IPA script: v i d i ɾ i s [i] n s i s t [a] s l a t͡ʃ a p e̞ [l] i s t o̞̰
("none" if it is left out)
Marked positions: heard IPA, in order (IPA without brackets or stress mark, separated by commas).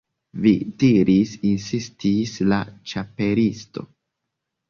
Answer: i, i, ɾ